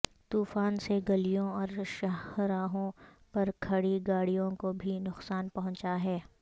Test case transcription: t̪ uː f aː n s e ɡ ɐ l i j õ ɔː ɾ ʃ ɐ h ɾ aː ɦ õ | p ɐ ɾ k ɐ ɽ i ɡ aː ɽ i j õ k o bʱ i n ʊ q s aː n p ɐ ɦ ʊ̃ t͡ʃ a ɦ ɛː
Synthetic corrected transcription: t̪ uː f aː n s e ɡ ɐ l i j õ ɔː ɾ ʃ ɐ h ɾ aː ɦ õ | p ɐ ɾ kʰ ɐ ɽ i ɡ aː ɽ i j õ k o bʱ i n ʊ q s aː n p ɐ ɦ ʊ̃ t͡ʃ a ɦ ɛː